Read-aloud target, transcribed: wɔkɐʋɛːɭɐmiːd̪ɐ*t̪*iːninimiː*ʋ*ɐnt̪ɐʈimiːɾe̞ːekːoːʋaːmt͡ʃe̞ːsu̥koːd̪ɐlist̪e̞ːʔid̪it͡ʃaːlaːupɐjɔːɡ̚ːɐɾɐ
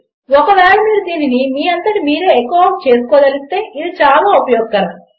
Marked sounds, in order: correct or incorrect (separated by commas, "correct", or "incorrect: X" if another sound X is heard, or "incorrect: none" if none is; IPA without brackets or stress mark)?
incorrect: d̪, incorrect: none